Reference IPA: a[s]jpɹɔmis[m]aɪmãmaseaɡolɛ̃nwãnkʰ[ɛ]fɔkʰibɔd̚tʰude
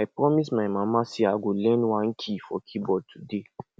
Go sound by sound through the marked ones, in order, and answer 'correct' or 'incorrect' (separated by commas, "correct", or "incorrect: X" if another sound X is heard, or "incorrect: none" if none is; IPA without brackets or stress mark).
incorrect: none, correct, incorrect: i